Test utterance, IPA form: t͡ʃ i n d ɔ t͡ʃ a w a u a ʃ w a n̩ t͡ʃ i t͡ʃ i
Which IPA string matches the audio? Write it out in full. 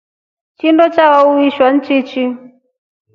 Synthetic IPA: t͡ʃ i n d ɔ t͡ʃ a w a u i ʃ w a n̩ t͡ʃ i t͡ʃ i